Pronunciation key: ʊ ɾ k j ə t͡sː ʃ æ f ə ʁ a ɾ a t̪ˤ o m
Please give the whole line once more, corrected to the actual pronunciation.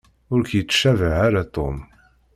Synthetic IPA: ʊ ɾ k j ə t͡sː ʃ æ v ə ʕ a ɾ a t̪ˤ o m